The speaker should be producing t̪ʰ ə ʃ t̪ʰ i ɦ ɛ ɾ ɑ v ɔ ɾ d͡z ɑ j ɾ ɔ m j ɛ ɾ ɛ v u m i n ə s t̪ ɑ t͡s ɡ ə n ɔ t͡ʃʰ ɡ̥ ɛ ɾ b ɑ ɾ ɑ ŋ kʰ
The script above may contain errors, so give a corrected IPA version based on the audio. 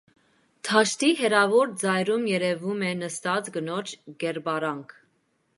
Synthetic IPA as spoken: t̪ʰ ɑ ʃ t̪ i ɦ ɛ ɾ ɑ v ɔ ɾ d͡z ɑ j ɾ u m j ɛ ɾ ɛ v u m ɛ n ə s t̪ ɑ t͡s ɡ ə n ɔ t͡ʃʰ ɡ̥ ɛ ɾ b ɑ ɾ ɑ ŋ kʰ